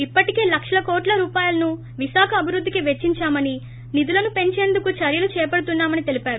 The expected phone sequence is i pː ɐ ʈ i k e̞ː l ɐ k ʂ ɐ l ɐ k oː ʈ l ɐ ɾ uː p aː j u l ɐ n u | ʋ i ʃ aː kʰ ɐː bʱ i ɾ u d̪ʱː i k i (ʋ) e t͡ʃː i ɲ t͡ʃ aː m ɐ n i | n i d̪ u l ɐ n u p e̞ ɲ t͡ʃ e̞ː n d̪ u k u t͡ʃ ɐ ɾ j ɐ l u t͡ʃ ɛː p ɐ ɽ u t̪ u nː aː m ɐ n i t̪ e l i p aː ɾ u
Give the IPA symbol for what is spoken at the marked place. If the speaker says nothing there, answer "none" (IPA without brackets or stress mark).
ʋ